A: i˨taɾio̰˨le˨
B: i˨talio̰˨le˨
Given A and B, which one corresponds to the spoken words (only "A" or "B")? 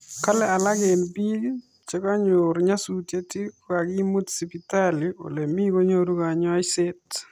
B